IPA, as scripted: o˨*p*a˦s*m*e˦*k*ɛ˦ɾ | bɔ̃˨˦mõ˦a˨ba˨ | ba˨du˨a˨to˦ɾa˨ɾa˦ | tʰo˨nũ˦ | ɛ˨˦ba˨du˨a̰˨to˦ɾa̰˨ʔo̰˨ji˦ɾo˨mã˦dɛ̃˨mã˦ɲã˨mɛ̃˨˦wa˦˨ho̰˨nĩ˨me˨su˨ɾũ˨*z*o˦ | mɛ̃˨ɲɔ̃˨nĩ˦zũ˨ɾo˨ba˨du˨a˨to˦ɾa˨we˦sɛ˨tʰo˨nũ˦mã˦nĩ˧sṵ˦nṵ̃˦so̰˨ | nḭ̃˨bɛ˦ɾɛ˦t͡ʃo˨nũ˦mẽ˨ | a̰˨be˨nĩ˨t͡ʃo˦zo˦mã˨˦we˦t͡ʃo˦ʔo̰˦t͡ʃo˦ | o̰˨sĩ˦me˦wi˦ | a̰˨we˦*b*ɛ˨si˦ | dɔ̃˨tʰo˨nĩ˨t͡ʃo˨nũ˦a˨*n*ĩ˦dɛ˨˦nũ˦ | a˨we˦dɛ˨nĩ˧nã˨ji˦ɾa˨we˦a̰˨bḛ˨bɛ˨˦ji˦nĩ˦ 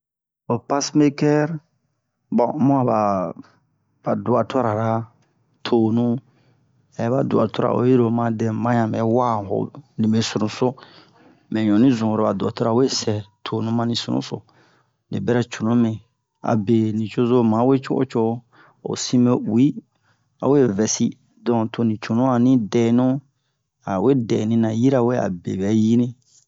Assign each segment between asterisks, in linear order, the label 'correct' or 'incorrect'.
correct, correct, correct, incorrect: s, incorrect: v, correct

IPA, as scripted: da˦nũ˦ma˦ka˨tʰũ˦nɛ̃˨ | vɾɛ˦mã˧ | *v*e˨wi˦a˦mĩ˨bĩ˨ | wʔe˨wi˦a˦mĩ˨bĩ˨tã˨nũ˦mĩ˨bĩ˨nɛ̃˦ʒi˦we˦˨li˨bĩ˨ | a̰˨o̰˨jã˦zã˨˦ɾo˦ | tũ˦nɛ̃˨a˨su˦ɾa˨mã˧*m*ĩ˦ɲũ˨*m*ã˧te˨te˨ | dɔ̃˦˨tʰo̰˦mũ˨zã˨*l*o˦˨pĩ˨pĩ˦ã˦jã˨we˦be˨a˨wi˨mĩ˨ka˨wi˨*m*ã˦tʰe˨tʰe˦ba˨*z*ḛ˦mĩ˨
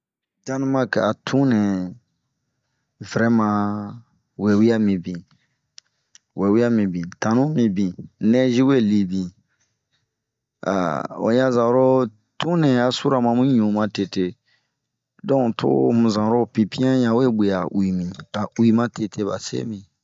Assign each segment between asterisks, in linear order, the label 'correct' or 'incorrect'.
incorrect: w, correct, correct, incorrect: ɾ, correct, incorrect: s

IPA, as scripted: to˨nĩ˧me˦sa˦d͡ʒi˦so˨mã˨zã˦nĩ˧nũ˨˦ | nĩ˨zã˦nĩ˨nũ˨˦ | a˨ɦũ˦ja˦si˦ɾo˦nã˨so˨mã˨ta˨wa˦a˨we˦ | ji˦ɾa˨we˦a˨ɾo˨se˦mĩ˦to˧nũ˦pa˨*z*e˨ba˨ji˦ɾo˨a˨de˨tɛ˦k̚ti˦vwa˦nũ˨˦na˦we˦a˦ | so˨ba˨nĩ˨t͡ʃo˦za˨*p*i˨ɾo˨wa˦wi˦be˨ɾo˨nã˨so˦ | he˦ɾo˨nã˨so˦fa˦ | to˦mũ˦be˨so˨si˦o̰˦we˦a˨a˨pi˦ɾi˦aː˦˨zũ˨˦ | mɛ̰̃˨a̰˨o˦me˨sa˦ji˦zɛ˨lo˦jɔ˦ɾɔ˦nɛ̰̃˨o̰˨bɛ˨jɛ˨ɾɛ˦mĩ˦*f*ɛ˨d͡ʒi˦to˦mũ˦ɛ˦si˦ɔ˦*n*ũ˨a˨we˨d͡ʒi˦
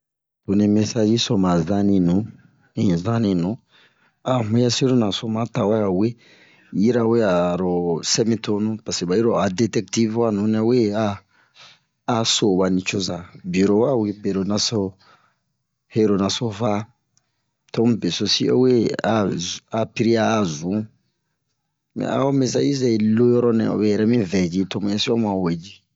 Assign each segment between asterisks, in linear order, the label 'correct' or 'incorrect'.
incorrect: s, incorrect: b, incorrect: v, incorrect: m

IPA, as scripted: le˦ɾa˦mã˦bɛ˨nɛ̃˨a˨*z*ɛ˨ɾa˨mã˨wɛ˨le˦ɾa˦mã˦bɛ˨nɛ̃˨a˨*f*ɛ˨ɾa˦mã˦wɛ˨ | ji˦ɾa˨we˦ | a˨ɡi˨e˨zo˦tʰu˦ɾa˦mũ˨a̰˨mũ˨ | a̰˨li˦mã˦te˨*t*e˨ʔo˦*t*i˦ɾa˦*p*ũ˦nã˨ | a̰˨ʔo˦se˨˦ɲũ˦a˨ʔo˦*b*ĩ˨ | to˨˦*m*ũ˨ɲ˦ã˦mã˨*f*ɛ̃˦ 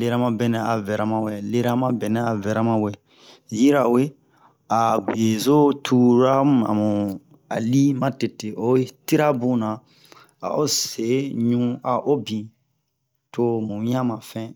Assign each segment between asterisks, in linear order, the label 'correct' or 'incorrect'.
incorrect: v, incorrect: v, correct, correct, incorrect: b, correct, correct, correct

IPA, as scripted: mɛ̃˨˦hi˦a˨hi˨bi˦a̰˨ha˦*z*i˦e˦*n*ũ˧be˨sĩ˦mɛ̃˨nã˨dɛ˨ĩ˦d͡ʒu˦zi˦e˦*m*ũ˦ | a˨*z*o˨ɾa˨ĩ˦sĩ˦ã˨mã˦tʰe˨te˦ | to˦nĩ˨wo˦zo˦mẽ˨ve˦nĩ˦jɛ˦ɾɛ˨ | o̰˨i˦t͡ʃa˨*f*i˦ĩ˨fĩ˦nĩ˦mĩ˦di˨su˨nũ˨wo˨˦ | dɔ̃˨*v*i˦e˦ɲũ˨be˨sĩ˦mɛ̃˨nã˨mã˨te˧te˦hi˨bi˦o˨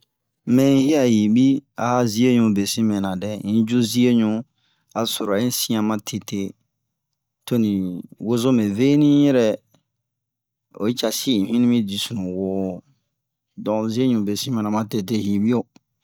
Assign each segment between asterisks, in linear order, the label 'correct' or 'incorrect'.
correct, incorrect: ɲ, incorrect: ɲ, incorrect: s, incorrect: s, incorrect: z

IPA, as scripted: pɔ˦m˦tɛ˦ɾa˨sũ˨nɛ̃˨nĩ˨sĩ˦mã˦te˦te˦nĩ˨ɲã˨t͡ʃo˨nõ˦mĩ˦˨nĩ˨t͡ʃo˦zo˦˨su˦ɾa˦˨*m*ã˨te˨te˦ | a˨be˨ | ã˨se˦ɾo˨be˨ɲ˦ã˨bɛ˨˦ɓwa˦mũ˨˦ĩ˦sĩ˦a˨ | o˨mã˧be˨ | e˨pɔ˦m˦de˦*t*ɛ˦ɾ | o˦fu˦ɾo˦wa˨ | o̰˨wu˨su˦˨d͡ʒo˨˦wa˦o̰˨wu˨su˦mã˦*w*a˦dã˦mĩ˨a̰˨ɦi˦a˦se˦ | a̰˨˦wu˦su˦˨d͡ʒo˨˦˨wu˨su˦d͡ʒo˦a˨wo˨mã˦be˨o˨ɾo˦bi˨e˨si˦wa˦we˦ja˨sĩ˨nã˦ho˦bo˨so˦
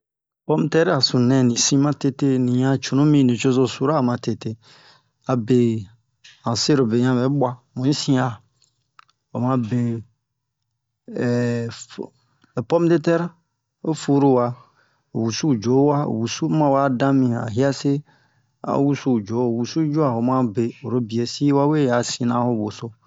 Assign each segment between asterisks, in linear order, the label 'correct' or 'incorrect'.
correct, correct, correct

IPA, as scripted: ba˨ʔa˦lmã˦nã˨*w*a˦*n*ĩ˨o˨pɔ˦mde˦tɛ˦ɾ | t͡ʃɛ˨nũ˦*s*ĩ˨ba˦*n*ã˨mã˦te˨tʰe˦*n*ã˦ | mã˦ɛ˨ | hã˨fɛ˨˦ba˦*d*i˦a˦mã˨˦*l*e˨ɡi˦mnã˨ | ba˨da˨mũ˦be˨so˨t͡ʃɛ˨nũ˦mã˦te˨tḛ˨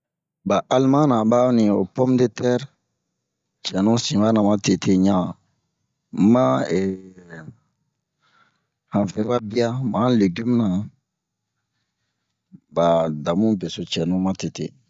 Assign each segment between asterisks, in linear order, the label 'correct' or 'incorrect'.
incorrect: b, correct, correct, correct, incorrect: ɲ, incorrect: b, correct

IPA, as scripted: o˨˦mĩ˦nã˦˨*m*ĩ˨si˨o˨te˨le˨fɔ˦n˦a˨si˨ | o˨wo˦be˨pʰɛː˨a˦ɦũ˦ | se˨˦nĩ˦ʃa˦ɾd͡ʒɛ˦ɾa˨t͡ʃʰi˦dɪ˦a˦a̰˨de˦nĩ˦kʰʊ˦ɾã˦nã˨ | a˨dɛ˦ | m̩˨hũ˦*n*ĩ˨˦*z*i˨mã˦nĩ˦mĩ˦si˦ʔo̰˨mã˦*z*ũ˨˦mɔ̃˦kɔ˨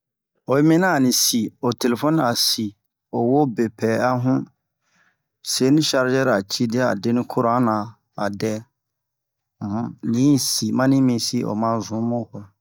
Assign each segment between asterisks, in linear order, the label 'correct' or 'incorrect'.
incorrect: n, correct, incorrect: s, correct

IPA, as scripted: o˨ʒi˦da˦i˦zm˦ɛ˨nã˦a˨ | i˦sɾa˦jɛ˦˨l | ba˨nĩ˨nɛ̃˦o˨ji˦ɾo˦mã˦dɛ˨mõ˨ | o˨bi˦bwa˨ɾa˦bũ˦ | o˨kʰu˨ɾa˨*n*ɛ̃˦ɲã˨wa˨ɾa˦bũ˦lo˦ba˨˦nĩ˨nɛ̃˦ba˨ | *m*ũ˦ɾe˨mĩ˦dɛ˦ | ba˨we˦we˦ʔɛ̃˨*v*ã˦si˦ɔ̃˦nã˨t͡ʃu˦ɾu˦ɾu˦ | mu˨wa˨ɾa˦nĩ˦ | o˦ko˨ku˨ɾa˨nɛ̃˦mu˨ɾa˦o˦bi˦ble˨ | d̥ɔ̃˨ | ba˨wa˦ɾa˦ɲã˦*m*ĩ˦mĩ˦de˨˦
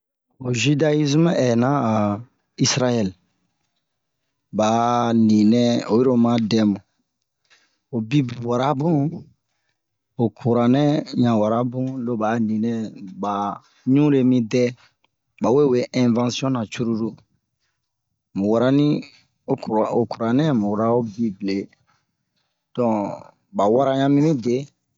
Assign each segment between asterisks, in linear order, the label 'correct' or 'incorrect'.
correct, incorrect: ɲ, correct, correct

